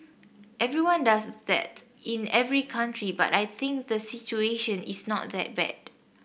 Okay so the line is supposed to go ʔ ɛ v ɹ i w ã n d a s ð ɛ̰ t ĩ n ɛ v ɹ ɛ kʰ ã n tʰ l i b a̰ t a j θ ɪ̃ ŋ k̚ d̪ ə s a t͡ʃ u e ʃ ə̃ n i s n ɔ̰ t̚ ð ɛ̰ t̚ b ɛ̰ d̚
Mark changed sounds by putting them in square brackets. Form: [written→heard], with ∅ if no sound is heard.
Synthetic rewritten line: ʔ ɛ v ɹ i w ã n d a s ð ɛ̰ t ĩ n ɛ v ɹ [ɛ→i] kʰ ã n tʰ [l→ɹ] i b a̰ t a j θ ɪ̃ ŋ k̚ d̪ ə s [a→i] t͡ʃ u e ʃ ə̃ n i s n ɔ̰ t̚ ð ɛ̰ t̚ b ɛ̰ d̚